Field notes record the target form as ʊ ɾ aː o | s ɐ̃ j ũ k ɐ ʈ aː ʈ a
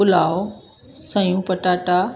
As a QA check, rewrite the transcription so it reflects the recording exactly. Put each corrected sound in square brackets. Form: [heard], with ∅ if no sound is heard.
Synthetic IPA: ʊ [l] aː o | s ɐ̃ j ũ [p] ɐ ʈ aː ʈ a